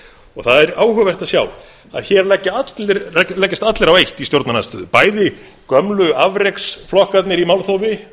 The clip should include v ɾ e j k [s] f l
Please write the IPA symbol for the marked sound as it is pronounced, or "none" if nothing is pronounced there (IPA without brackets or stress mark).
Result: s